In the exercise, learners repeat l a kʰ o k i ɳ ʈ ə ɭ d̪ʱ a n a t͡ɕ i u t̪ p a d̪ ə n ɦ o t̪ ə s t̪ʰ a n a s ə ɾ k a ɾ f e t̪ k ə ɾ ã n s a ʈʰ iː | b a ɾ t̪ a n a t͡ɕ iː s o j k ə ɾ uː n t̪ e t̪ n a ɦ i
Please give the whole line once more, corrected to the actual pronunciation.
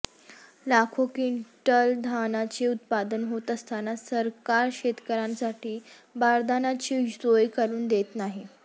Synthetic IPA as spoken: l a kʰ o k i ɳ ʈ ə l d̪ʱ a n a t͡ɕ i u t̪ p a d̪ ə n ɦ o t̪ ə s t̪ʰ a n a s ə ɾ k a ɾ ɕ e t̪ k ə ɾ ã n s a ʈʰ iː | b a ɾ d̪ a n a t͡ɕ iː s o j k ə ɾ uː n d̪ e t̪ n a ɦ i